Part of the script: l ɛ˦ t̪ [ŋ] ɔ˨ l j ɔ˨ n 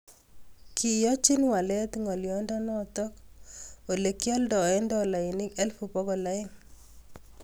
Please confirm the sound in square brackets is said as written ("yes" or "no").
yes